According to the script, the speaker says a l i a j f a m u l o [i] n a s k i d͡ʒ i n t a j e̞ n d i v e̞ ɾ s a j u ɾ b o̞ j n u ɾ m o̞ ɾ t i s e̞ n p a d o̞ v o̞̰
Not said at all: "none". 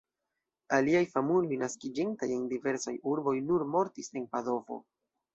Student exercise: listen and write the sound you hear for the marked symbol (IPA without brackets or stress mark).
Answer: j